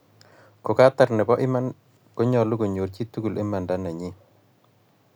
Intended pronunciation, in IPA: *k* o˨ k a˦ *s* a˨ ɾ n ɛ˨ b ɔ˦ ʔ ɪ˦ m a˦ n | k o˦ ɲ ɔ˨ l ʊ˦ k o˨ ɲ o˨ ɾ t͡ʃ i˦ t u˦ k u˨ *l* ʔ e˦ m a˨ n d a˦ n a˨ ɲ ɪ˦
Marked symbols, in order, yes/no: yes, no, yes

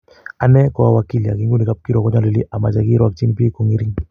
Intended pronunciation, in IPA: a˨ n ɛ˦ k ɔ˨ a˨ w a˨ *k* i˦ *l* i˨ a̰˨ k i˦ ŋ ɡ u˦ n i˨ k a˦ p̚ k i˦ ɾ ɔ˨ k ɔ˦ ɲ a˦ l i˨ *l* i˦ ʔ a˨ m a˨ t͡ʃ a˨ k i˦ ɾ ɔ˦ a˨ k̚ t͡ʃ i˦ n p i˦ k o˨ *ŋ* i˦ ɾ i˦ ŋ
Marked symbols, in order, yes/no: yes, yes, yes, yes

